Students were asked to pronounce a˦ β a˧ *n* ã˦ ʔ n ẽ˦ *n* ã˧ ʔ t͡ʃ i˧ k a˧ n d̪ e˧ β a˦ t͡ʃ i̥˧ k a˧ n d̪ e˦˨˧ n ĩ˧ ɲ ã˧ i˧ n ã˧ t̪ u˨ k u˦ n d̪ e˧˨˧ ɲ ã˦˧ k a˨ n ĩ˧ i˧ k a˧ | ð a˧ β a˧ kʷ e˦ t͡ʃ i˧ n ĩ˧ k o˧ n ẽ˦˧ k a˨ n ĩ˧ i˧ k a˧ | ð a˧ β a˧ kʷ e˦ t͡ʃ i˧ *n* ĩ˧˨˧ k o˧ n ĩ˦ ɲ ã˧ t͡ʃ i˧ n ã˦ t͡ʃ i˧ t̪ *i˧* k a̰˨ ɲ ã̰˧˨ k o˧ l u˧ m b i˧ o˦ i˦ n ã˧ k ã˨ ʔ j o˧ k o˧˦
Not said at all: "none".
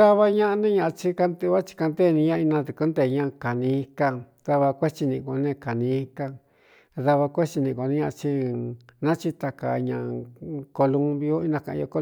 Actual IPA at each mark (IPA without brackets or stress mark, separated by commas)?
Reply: ɲ, ɲ, n, a˧